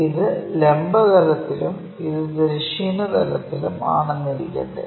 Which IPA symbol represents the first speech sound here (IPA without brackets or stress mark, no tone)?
i